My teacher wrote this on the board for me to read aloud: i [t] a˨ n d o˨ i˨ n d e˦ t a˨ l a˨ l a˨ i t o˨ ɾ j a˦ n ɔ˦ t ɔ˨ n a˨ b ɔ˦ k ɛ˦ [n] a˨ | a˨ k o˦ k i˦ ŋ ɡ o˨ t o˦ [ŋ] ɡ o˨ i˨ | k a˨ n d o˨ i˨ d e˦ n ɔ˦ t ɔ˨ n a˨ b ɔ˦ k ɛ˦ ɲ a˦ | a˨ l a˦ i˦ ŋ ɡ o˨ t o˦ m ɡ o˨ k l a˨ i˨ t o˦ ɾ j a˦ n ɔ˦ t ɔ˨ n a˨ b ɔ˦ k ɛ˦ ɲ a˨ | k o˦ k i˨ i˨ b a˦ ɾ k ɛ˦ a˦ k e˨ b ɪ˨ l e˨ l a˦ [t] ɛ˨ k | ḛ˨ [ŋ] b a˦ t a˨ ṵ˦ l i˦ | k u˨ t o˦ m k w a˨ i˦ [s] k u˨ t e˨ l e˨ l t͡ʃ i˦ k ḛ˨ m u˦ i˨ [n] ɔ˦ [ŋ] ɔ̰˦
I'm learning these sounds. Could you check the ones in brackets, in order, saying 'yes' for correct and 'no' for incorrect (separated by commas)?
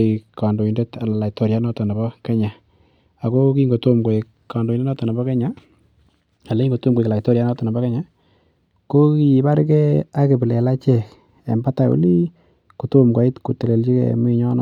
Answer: no, no, no, no, no, no, no, no